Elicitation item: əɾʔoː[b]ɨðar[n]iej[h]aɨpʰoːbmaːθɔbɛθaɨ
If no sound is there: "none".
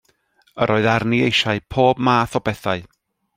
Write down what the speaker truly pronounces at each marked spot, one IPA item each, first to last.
none, n, ʃ

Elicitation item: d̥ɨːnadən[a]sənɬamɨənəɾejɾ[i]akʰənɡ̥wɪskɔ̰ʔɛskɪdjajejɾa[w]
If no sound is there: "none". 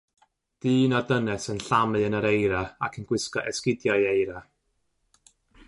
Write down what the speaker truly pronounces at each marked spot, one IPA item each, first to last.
ɛ, a, none

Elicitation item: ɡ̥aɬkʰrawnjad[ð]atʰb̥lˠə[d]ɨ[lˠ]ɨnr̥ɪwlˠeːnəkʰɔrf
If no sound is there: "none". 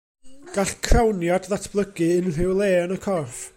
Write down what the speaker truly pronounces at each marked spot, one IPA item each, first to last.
ð, ɡ, none

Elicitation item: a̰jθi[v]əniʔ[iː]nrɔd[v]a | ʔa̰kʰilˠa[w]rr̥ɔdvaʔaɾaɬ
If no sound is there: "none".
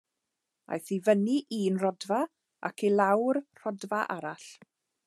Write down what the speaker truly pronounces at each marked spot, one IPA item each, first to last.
v, iː, v, w

